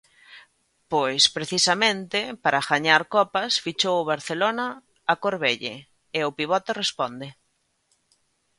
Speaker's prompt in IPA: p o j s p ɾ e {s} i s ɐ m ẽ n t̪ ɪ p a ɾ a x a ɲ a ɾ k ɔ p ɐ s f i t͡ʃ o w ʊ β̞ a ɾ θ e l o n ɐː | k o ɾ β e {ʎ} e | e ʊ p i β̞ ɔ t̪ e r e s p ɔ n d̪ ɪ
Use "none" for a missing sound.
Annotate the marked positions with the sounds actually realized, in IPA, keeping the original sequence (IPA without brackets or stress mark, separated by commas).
θ, ʎ